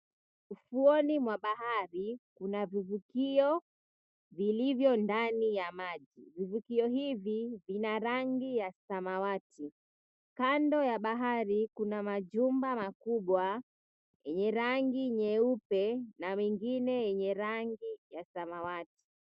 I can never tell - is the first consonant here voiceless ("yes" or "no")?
yes